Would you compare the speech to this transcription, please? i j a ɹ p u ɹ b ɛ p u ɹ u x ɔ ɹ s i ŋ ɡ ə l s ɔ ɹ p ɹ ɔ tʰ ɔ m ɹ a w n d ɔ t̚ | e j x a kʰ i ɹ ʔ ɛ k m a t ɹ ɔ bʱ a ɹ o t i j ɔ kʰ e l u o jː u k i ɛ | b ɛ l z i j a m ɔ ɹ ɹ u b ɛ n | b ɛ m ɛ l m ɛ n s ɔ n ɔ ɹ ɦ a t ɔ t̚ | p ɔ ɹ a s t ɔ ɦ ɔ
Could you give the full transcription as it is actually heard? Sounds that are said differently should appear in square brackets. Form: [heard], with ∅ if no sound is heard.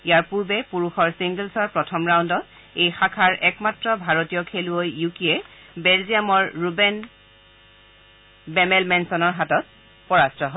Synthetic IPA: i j a ɹ p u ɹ b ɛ p u ɹ u x ɔ ɹ s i ŋ ɡ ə l s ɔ ɹ p ɹ ɔ tʰ ɔ m ɹ a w n d ɔ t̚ | e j x a kʰ [a] ɹ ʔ ɛ k m a t ɹ ɔ bʱ a ɹ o t i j ɔ kʰ e l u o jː u k i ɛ | b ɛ l z i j a m ɔ ɹ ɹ u b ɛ n | b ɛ m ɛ l m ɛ n s ɔ n ɔ ɹ ɦ a t ɔ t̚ | p ɔ ɹ a s t ɔ ɦ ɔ